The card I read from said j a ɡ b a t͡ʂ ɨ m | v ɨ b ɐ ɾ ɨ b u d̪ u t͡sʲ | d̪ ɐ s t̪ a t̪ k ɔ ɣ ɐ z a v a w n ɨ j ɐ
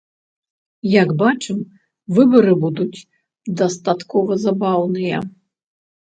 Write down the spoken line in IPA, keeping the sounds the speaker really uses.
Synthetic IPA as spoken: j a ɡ b a t͡ʂ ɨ m | v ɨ b ɐ ɾ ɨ b u d̪ u t͡sʲ | d̪ ɐ s t̪ a t̪ k ɔ v ɐ z a b a w n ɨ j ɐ